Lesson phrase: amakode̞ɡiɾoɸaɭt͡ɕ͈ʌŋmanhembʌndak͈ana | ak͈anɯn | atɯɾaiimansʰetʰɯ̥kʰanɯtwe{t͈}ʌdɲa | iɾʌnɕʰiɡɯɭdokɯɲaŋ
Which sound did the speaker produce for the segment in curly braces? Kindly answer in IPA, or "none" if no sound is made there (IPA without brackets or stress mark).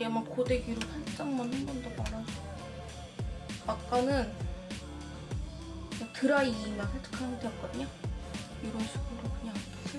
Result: k͈